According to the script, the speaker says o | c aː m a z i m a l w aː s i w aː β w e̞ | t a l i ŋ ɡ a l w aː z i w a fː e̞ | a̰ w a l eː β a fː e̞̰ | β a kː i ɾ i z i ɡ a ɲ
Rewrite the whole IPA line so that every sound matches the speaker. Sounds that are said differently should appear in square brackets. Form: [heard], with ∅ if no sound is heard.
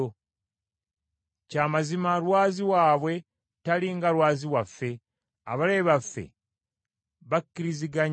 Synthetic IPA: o | c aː m a z i m a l w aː [z] i w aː β w e̞ | t a l i ŋ ɡ a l w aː z i w a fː e̞ | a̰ [β] a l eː β a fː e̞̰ | β a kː i ɾ i z i ɡ a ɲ